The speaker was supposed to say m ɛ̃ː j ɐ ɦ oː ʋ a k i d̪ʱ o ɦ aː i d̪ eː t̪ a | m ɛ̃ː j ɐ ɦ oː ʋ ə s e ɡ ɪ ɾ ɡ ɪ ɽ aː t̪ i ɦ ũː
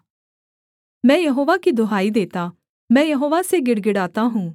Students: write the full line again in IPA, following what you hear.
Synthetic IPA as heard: m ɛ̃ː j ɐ ɦ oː ʋ a k i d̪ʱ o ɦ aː i d̪ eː t̪ a | m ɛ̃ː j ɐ ɦ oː ʋ a s e ɡ ɪ ɽ ɡ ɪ ɽ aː t̪ a ɦ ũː